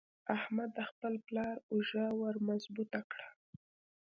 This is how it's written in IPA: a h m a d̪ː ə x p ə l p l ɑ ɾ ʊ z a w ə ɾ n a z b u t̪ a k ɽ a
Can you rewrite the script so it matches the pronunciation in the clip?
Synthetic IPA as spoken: a h m a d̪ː ə x p ə l p l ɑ ɾ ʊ ʒ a w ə ɾ m a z b u t̪ a k ɽ a